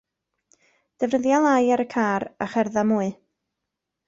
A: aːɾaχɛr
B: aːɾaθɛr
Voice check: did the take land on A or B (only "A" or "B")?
A